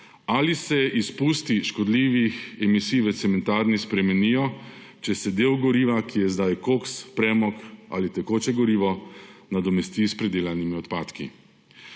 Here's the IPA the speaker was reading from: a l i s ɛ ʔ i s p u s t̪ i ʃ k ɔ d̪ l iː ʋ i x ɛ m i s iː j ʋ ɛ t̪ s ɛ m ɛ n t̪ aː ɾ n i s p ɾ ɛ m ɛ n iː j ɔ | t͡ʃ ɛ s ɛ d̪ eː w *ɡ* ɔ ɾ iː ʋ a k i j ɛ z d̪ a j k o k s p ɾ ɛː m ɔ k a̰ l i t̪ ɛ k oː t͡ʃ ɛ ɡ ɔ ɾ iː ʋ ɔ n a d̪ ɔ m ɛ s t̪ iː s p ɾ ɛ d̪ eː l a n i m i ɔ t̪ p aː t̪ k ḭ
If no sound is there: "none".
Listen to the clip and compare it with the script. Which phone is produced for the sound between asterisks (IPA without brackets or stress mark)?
ɡ